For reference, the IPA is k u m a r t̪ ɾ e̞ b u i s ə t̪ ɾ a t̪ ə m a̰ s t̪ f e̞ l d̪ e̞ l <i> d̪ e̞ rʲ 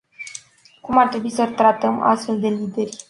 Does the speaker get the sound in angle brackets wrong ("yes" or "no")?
no